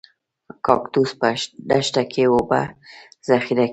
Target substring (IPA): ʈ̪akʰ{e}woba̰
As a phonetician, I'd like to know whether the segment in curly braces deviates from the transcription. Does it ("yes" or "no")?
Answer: no